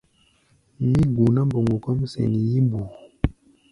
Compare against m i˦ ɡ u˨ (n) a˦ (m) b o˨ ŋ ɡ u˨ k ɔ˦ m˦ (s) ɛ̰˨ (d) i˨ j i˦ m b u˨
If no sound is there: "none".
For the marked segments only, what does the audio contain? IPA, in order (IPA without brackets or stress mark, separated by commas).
n, m, s, n